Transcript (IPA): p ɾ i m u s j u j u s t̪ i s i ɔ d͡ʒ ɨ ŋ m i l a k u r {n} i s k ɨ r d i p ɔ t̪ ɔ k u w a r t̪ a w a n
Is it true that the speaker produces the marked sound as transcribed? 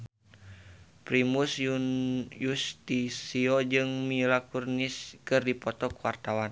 yes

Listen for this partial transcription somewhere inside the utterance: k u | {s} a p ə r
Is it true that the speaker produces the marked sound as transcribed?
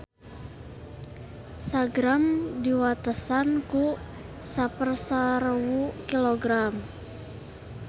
yes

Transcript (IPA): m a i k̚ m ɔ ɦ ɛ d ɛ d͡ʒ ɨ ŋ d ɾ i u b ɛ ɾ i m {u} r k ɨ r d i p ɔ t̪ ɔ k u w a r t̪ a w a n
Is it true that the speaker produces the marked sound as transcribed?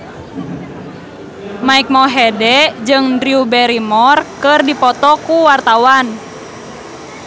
no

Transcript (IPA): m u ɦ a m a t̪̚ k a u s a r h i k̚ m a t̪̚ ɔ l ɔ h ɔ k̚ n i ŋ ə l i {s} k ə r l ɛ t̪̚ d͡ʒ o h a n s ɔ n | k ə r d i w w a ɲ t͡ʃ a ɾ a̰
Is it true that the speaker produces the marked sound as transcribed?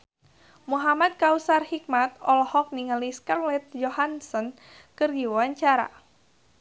yes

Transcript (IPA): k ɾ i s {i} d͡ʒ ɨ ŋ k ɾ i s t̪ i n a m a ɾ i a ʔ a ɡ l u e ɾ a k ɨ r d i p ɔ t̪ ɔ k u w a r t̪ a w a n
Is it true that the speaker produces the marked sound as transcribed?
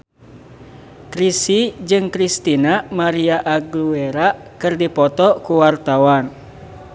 yes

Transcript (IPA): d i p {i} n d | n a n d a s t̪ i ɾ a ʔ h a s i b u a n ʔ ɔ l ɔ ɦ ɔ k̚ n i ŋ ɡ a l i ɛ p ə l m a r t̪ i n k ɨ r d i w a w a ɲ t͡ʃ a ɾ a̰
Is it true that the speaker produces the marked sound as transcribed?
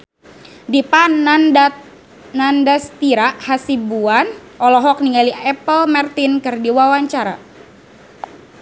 no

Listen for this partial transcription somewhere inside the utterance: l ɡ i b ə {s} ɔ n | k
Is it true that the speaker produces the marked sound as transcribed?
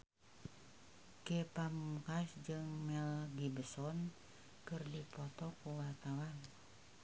yes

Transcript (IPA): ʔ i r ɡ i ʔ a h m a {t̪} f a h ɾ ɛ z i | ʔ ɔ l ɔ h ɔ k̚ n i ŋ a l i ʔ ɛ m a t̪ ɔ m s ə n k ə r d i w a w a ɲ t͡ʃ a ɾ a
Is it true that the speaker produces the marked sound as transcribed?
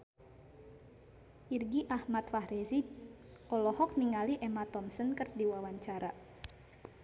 yes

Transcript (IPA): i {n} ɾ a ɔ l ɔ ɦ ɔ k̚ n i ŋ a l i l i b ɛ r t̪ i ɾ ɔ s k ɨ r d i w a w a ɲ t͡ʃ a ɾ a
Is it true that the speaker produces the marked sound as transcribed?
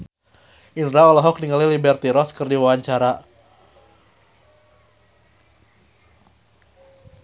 yes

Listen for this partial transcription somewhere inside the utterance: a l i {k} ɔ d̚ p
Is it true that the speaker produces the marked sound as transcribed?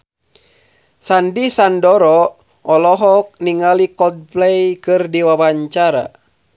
yes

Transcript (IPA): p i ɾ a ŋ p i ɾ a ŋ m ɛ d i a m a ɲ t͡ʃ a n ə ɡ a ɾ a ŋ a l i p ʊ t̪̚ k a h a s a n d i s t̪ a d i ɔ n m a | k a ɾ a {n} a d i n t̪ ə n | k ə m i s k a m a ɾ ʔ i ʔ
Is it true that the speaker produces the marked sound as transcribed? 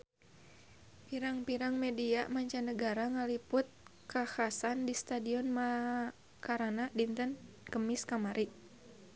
yes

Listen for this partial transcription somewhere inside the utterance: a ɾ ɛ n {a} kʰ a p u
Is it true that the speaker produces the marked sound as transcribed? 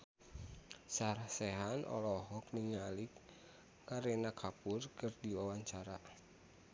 yes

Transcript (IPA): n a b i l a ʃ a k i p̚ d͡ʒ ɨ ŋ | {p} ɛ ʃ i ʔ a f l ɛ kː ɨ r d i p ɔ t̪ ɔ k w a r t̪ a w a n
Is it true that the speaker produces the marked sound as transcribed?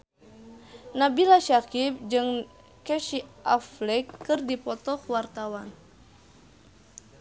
no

